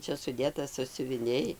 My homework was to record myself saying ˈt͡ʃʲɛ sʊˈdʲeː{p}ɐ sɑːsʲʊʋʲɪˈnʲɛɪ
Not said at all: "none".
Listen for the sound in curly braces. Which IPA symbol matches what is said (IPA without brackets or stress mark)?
t